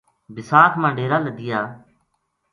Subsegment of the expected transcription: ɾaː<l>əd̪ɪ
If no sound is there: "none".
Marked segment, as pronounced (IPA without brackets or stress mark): l